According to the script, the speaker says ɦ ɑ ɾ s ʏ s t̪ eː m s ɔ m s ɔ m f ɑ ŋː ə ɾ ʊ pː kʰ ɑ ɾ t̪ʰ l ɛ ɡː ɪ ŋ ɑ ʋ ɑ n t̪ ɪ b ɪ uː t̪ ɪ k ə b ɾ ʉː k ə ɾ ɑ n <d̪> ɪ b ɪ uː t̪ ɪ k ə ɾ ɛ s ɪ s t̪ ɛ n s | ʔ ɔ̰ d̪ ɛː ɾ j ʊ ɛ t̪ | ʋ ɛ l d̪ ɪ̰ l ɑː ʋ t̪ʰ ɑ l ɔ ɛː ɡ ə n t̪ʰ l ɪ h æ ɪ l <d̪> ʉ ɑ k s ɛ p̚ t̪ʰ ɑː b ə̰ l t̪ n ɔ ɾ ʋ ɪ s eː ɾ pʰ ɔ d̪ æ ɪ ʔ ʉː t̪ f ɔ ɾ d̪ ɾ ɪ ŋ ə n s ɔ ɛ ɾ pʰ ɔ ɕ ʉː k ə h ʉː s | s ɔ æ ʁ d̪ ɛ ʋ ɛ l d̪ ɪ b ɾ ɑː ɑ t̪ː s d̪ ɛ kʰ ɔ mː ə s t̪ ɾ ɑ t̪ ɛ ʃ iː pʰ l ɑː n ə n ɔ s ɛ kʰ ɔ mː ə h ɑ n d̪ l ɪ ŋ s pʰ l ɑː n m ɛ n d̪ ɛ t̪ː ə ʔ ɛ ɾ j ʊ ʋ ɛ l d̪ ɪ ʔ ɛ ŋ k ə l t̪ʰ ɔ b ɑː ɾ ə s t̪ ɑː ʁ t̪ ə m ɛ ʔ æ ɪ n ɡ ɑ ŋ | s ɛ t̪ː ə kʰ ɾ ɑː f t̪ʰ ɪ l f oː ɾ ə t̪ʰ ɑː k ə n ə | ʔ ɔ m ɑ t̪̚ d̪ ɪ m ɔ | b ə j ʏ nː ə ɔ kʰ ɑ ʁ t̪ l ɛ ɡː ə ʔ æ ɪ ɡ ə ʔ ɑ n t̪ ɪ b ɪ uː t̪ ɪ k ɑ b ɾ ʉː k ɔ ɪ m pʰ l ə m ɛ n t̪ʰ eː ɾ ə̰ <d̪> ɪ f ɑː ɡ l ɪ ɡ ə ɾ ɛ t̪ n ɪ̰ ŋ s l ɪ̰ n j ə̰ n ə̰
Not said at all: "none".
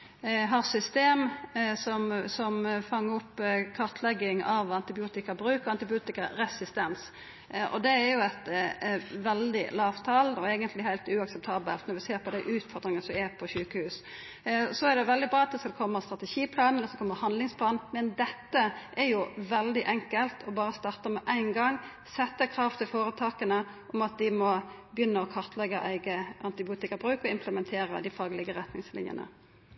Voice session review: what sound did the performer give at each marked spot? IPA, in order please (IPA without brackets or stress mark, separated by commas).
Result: t̪, t̪, d̪